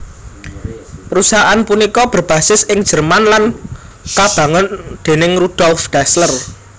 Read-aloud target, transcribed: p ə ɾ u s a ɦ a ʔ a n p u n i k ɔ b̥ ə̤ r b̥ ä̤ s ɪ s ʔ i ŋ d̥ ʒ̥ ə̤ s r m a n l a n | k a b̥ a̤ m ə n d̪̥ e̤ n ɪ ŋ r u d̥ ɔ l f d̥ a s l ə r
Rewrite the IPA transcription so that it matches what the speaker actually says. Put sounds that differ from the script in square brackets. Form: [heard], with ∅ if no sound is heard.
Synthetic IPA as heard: p ə ɾ u s a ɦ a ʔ a n p u n i k ɔ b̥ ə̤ r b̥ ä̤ s ɪ s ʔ [ɪ] ŋ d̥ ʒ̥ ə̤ [∅] r m a n l a n | k a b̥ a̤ [ŋ] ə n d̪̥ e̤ n ɪ ŋ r u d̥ ɔ l f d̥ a s l ə r